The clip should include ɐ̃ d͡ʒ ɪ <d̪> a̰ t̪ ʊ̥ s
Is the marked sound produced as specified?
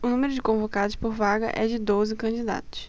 yes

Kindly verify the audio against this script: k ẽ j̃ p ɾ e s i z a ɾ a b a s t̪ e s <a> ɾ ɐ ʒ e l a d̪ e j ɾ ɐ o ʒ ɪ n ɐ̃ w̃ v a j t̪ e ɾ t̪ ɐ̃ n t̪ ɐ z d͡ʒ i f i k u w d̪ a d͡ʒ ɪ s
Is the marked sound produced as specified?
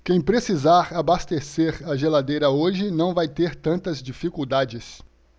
no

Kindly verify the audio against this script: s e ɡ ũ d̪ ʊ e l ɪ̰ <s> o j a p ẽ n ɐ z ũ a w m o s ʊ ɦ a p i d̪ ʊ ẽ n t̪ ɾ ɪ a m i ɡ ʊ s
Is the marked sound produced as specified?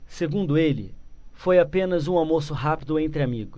no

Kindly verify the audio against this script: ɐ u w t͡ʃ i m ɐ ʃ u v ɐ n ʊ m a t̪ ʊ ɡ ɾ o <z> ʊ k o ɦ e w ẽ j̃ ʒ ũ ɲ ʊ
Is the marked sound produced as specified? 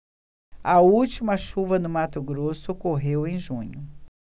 no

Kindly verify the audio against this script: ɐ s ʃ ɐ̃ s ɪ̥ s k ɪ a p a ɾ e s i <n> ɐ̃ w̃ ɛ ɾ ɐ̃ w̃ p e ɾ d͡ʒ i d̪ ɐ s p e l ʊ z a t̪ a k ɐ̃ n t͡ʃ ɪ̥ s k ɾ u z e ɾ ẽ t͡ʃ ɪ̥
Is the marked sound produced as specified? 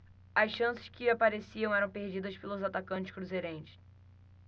no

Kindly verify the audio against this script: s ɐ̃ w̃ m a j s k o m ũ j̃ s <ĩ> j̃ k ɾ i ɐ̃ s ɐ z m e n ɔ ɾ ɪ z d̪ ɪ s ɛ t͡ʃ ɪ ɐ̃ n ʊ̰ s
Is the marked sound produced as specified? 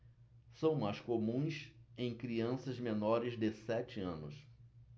no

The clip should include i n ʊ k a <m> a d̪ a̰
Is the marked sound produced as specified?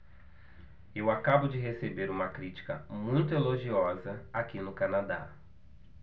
no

